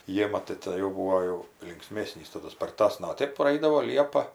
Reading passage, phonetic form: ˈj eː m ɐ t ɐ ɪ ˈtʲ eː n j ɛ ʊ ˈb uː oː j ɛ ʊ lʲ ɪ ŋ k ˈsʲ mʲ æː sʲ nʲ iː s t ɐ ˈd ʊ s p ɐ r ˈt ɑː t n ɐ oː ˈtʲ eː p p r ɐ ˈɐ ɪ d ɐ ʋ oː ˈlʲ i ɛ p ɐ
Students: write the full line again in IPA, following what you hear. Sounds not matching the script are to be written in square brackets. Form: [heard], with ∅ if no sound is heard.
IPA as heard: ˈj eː m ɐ t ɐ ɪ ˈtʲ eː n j ɛ ʊ ˈb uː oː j ɛ ʊ lʲ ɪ ŋ k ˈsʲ mʲ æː sʲ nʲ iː s t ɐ ˈd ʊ s p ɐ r ˈt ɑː [s] n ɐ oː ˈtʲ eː p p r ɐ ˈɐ ɪ d ɐ ʋ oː ˈlʲ i ɛ p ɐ